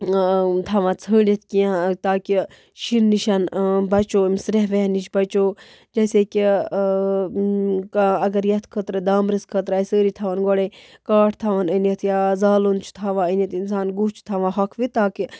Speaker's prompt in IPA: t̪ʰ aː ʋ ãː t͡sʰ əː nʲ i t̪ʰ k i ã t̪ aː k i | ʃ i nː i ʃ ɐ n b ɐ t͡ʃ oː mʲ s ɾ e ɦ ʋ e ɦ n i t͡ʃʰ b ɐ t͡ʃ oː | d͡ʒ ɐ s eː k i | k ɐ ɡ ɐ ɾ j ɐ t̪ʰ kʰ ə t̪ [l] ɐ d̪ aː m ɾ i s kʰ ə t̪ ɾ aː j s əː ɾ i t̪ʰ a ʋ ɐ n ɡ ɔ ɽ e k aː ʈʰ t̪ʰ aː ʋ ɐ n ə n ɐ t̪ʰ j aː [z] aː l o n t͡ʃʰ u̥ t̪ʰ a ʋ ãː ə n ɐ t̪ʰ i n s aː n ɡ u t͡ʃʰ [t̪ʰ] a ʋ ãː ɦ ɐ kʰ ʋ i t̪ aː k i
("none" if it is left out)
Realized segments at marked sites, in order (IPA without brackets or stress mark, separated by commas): ɾ, z, t̪ʰ